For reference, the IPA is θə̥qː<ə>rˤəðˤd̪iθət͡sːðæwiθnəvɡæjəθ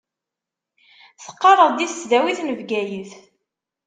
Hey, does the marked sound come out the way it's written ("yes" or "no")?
no